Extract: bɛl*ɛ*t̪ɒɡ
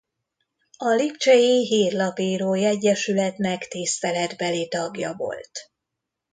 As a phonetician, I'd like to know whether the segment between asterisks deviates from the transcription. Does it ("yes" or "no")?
yes